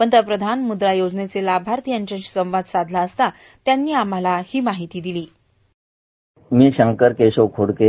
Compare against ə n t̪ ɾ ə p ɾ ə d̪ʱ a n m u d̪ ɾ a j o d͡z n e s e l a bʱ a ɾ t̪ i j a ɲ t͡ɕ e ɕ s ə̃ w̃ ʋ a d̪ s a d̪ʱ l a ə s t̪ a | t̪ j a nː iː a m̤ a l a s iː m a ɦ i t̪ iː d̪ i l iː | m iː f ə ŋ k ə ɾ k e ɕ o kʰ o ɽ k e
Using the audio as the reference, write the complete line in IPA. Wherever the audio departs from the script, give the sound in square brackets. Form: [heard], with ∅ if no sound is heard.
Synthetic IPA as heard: ə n t̪ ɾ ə p ɾ ə d̪ʱ a n m u d̪ ɾ a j o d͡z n e [t͡s] e l a bʱ a ɾ t̪ i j a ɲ t͡ɕ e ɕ s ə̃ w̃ ʋ a d̪ s a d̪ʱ l a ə s t̪ a | t̪ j a nː iː a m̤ a l a [h] iː m a ɦ i t̪ iː d̪ i l iː | m iː [ɕ] ə ŋ k ə ɾ k e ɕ o kʰ o ɽ k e

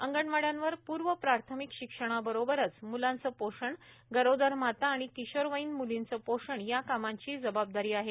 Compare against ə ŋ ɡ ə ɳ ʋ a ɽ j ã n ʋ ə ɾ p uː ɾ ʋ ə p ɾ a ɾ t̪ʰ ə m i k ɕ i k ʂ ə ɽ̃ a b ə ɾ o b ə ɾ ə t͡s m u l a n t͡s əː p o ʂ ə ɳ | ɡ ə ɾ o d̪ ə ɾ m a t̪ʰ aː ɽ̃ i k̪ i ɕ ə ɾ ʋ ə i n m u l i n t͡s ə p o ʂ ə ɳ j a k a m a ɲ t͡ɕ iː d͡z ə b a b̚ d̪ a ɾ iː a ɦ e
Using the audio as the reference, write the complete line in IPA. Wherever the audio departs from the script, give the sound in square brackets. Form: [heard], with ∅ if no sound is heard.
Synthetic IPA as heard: ə ŋ ɡ ə ɳ ʋ a ɽ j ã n ʋ ə ɾ p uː ɾ ʋ ə p ɾ a ɾ t̪ʰ ə m i k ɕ i k ʂ ə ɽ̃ a b ə ɾ o b ə ɾ ə t͡s m u l a n t͡s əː p o ʂ ə ɳ | ɡ ə ɾ o d̪ ə ɾ m a [t̪] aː ɽ̃ i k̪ i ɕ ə ɾ ʋ ə i n m u l i n t͡s ə p o ʂ ə ɳ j a k a m a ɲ t͡ɕ iː d͡z ə b a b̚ d̪ a ɾ iː a ɦ e

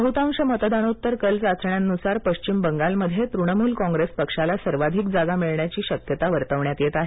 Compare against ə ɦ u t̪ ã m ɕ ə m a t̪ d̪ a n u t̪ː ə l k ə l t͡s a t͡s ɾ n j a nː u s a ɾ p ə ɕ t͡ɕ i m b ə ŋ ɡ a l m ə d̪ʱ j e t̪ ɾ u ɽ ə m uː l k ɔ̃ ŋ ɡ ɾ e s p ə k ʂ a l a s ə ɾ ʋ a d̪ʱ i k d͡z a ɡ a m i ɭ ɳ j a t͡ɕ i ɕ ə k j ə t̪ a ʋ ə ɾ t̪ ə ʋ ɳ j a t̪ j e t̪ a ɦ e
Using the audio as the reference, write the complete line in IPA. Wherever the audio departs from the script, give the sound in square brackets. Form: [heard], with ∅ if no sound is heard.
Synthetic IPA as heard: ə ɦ u t̪ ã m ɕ ə m [ə] t̪ d̪ a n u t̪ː ə [ɾ] k ə l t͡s a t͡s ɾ [ɳ] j a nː u s a ɾ p ə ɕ t͡ɕ i m b ə ŋ ɡ a l m ə d̪ʱ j e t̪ ɾ u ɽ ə m uː l k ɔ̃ ŋ ɡ ɾ e s p ə k ʂ a l a s ə ɾ ʋ a d̪ʱ i k d͡z a ɡ a m i ɭ ɳ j a t͡ɕ [iː] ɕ ə k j ə t̪ a ʋ ə ɾ t̪ ə ʋ ɳ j a t̪ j e t̪ a ɦ e

